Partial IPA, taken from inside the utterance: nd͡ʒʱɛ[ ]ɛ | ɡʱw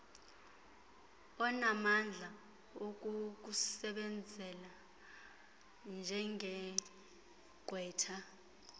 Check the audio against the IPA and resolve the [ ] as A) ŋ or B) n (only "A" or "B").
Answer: A